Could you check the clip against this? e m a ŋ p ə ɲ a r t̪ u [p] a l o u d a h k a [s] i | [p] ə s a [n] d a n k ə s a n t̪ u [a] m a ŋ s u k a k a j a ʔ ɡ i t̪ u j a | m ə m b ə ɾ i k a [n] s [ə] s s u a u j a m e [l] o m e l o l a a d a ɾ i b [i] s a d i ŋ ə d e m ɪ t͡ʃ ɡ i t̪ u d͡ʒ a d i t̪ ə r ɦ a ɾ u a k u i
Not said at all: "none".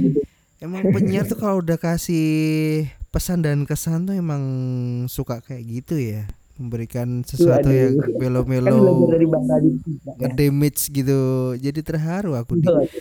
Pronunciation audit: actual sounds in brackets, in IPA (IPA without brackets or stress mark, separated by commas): k, s, p, n, e, n, ə, l, a